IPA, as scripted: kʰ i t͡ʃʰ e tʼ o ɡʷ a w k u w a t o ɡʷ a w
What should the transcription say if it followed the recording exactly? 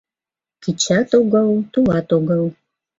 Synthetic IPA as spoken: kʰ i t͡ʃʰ a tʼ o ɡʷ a w t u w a t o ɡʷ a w